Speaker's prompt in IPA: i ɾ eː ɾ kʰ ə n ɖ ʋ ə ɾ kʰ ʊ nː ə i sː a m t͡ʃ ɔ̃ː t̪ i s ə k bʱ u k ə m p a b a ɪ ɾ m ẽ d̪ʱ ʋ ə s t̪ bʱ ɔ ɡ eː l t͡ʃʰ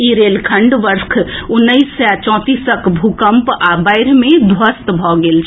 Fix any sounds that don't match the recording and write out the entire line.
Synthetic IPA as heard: i ɾ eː l kʰ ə ɳ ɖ ʋ ə ɾ kʰ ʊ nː ə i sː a t͡ʃ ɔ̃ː t̪ i s ə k bʱ u k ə m p a b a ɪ ɾ m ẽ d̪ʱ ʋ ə s t̪ bʱ ɔ ɡ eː l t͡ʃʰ